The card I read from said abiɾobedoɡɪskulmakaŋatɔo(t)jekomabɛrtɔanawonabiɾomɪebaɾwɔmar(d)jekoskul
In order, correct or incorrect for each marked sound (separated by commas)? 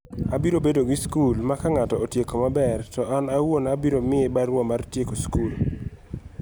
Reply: correct, incorrect